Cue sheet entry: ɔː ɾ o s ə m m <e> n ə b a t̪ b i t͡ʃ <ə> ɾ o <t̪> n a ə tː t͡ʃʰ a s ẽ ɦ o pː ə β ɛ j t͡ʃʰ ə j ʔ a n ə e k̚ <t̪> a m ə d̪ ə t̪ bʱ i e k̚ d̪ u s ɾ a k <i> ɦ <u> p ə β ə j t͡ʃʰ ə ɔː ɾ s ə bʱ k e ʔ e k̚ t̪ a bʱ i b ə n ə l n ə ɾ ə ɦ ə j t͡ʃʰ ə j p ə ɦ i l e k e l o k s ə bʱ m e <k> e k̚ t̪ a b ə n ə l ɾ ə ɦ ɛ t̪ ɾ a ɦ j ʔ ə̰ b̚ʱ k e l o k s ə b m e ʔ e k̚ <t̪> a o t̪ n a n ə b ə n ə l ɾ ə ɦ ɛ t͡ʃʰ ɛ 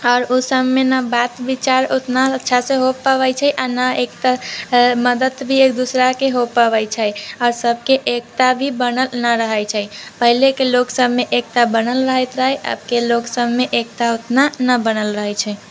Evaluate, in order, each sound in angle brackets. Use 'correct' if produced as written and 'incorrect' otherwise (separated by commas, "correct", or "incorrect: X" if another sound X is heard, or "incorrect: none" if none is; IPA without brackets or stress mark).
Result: correct, incorrect: a, correct, correct, incorrect: e, incorrect: o, incorrect: ʔ, correct